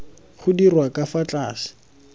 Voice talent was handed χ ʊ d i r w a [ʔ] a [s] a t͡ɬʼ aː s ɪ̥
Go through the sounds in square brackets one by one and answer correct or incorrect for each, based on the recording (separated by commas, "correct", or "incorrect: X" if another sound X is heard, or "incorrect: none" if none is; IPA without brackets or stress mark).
incorrect: k, incorrect: f